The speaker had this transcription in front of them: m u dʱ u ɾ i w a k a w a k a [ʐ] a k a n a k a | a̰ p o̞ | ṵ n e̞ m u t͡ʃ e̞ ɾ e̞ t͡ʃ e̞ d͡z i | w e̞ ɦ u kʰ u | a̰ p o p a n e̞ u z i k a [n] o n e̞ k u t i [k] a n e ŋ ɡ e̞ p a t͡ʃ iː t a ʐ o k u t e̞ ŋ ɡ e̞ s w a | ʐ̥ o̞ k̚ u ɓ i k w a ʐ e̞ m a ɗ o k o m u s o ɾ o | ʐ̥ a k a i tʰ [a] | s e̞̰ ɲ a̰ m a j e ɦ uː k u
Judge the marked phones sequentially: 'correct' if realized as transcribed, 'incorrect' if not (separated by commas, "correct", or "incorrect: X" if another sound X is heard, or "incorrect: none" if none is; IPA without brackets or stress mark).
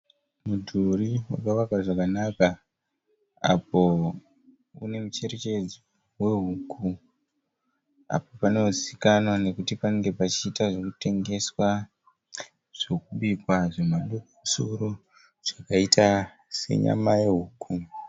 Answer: correct, correct, incorrect: p, correct